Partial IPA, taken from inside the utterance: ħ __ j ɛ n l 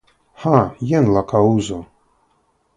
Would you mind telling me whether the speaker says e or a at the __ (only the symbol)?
a